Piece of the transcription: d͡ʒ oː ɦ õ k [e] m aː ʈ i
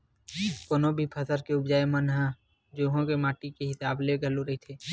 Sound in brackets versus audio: correct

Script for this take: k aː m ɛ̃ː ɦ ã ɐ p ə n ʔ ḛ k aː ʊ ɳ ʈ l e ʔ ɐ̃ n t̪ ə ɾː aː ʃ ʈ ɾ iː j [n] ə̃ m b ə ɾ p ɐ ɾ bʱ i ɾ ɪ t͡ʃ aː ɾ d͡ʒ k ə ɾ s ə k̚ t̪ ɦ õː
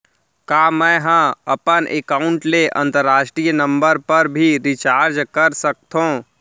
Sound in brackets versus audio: correct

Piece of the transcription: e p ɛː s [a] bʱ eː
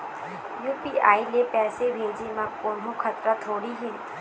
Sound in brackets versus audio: incorrect: e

